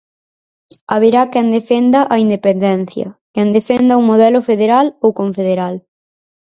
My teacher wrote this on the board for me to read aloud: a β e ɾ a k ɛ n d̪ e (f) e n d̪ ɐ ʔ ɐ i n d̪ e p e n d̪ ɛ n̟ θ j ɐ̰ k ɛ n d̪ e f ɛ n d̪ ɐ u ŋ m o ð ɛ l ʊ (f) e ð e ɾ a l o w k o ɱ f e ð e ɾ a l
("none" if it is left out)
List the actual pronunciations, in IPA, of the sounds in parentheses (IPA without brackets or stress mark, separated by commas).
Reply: f, f